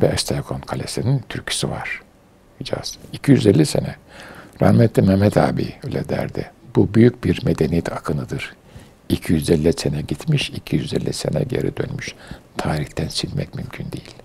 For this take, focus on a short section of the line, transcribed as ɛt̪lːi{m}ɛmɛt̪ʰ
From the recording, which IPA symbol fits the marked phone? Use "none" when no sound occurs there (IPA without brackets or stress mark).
m